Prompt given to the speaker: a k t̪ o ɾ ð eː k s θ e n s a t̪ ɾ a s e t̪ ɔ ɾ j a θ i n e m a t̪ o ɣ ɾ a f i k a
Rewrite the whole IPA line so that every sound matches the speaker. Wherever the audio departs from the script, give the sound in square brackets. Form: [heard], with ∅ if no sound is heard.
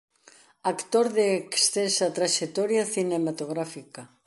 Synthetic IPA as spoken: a k t̪ o ɾ ð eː k s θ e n s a t̪ ɾ a [ʃ] e t̪ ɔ ɾ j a θ i n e m a t̪ o ɣ ɾ a f i k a